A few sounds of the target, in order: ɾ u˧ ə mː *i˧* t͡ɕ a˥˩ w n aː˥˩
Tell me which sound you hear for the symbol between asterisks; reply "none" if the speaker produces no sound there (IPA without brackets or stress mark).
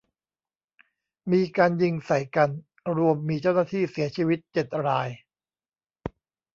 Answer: iː˧